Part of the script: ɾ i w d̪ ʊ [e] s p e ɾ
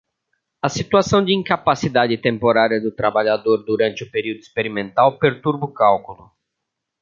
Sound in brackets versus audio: incorrect: i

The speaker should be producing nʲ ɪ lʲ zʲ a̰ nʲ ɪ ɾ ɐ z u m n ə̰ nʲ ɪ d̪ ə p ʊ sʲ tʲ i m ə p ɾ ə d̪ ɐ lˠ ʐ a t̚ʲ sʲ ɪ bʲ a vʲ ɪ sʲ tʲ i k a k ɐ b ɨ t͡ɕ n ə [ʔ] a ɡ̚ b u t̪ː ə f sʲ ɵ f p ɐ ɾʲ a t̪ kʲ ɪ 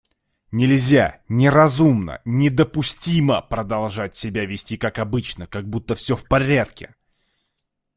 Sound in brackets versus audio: incorrect: k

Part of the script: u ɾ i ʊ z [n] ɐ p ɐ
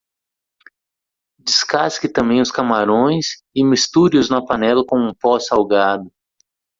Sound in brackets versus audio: correct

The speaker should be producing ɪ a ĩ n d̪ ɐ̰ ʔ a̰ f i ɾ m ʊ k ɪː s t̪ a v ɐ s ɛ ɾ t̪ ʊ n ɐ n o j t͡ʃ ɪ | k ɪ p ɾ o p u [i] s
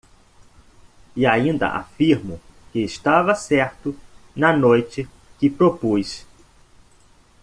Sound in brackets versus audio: incorrect: j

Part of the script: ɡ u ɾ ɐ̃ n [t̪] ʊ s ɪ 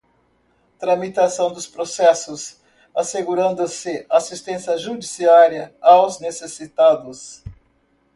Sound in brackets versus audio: incorrect: d̪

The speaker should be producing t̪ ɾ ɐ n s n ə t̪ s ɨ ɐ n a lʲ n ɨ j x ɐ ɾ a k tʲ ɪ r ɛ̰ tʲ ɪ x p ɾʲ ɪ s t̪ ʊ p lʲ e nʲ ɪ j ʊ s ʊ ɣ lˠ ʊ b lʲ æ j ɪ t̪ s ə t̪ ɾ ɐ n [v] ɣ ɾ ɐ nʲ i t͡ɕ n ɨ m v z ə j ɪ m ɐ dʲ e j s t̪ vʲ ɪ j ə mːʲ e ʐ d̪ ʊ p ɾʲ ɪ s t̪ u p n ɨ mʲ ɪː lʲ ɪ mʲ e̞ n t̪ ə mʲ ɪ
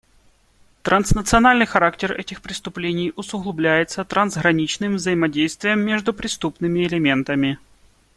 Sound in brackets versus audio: incorrect: z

